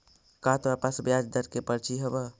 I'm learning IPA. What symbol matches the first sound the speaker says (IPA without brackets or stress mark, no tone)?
k